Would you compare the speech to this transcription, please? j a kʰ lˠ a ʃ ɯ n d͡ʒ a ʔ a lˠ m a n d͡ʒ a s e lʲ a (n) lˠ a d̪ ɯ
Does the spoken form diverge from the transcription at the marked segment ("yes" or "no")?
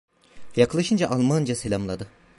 yes